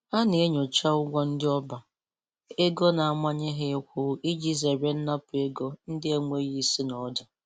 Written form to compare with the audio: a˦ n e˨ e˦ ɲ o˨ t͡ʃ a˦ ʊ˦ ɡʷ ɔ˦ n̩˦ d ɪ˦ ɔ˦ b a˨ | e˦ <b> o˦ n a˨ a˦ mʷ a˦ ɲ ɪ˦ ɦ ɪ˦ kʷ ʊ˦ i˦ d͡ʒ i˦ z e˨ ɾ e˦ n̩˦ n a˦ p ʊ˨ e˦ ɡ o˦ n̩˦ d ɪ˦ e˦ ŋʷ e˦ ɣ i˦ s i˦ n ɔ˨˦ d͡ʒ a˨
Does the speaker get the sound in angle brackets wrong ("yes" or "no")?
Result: yes